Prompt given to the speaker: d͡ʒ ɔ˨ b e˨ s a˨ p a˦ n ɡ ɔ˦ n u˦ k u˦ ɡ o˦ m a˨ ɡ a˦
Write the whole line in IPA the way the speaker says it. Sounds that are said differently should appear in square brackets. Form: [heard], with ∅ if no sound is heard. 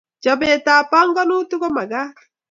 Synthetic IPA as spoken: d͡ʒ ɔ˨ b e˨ [t] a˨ p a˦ [ŋ] ɡ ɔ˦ n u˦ [t] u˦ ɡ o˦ m a˨ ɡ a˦